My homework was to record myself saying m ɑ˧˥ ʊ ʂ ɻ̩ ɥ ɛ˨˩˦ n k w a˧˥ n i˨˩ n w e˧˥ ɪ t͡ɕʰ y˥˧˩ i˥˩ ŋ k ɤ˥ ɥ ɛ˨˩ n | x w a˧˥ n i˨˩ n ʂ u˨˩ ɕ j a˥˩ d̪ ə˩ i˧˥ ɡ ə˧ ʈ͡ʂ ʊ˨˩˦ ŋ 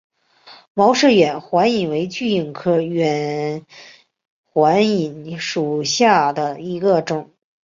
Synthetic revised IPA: m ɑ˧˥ ʊ ʂ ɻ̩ ɥ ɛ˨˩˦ n x w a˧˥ n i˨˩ n w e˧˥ ɪ t͡ɕ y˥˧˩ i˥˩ ŋ kʰ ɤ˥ ɥ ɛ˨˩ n | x w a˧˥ n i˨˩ n ʂ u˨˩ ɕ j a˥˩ d̪ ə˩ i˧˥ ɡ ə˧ ʈ͡ʂ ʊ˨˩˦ ŋ